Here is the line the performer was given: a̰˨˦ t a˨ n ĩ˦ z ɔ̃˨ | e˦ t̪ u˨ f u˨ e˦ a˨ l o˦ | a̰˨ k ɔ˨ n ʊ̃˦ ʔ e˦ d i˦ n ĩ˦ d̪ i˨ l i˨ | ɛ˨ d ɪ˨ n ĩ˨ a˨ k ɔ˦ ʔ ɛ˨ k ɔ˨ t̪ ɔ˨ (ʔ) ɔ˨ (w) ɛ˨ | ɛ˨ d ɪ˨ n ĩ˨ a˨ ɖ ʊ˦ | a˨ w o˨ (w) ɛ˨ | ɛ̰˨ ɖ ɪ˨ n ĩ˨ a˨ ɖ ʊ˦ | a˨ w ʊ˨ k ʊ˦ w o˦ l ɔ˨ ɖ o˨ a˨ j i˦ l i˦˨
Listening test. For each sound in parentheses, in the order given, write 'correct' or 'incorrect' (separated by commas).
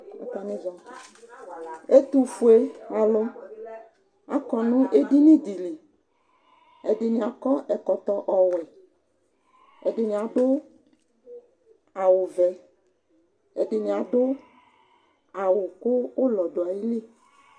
correct, correct, incorrect